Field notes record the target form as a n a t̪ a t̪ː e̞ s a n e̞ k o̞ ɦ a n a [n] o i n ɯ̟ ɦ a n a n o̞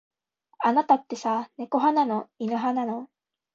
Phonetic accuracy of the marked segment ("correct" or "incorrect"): correct